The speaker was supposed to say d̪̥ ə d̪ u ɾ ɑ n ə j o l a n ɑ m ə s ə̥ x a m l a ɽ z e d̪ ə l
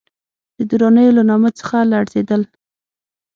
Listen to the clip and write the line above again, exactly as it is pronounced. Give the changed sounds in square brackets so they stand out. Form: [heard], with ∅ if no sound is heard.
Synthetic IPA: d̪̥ ə d̪ u ɾ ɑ n ə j o l a n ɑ m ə [t͡s] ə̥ x a [∅] l a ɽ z e d̪ ə l